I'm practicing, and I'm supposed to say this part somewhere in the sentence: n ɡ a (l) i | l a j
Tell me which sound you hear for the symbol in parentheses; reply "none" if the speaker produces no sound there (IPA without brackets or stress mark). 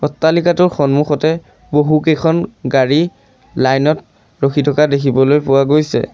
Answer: ɹ